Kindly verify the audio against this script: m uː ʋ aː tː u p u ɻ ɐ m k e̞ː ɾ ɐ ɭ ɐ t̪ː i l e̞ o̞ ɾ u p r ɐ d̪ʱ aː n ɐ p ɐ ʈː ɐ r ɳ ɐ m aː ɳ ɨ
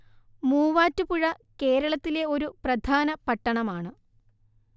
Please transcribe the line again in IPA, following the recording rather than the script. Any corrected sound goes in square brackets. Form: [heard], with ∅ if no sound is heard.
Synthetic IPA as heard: m uː ʋ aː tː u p u ɻ ɐ [∅] k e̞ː ɾ ɐ ɭ ɐ t̪ː i l e̞ o̞ ɾ u p r ɐ d̪ʱ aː n ɐ p ɐ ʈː ɐ [∅] ɳ ɐ m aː ɳ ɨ